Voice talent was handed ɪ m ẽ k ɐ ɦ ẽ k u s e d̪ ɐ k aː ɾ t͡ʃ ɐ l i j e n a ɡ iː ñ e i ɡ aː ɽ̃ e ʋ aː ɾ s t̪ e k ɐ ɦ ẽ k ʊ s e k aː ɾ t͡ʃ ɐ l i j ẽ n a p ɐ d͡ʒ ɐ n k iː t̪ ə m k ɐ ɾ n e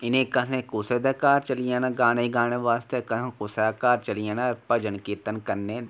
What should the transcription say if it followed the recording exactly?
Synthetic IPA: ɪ n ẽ k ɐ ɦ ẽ k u s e d̪ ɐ k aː ɾ t͡ʃ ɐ l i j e n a ɡ aː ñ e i ɡ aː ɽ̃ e ʋ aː s t̪ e k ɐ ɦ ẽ k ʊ s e k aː ɾ t͡ʃ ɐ l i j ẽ n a p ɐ d͡ʒ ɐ n k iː t̪ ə n k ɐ ɾ n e